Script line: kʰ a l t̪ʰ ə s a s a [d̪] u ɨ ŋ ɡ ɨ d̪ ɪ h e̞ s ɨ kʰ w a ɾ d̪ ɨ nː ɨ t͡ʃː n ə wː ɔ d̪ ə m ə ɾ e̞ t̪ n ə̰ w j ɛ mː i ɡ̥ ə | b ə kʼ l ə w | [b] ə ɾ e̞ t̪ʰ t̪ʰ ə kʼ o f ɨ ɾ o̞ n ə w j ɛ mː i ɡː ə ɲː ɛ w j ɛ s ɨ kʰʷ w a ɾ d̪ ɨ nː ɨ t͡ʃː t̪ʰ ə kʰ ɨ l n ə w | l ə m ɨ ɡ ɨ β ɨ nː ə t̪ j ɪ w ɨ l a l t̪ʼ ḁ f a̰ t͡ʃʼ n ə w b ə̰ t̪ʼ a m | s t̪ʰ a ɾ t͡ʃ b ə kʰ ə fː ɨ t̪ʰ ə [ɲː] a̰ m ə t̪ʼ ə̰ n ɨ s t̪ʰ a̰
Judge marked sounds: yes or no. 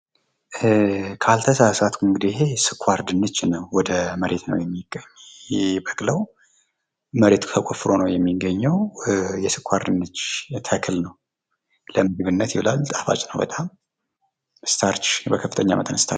no, no, yes

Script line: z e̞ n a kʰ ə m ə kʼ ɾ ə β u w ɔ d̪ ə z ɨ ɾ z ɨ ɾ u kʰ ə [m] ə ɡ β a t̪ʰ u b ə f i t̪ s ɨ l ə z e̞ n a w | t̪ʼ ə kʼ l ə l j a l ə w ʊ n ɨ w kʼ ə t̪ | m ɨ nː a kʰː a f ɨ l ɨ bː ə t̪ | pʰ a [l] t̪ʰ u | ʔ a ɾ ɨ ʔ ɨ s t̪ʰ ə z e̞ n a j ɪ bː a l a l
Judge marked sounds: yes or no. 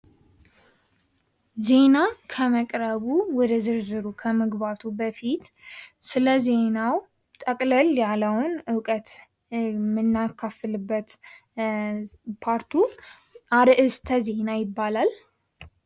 yes, no

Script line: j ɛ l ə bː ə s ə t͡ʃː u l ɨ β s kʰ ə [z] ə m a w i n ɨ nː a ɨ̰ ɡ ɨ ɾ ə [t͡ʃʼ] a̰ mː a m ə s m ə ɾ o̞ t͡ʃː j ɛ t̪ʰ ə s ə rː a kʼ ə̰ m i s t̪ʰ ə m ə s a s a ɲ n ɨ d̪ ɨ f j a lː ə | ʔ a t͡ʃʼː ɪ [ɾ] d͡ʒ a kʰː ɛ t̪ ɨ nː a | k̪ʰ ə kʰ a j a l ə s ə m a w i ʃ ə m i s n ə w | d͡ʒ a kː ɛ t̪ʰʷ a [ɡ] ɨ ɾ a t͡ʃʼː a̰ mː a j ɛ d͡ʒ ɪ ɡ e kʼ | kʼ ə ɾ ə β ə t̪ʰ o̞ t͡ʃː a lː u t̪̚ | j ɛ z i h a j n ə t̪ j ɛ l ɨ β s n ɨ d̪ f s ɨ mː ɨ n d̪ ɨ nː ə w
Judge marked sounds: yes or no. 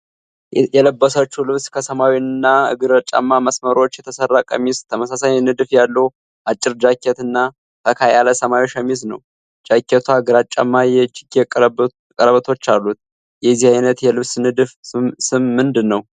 no, yes, yes, yes

